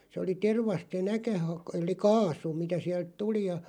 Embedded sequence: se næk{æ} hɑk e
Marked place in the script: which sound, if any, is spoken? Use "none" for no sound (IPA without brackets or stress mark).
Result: æ